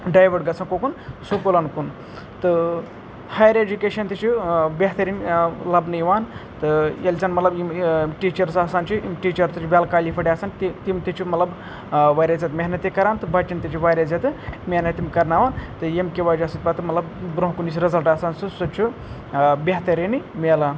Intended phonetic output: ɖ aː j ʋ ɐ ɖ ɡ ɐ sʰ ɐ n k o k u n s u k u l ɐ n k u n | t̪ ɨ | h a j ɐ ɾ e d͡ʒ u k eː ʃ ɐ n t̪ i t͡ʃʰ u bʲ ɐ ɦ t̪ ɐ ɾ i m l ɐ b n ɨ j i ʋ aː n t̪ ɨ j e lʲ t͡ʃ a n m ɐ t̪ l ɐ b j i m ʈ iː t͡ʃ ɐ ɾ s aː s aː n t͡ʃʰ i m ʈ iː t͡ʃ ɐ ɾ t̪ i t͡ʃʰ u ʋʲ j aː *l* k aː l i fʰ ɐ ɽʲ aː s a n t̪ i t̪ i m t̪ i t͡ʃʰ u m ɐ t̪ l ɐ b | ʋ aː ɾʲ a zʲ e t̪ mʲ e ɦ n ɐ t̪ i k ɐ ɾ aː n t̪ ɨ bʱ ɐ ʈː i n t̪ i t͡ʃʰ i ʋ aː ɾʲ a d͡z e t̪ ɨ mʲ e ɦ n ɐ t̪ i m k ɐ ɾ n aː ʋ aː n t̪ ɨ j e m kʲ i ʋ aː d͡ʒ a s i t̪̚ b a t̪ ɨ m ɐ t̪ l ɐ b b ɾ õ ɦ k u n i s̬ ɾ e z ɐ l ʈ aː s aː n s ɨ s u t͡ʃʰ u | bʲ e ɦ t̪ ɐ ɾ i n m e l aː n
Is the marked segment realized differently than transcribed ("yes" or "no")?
no